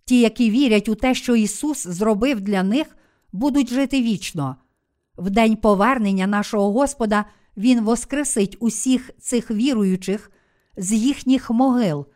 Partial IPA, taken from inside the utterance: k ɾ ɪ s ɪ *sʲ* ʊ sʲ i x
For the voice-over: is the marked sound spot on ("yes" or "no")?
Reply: no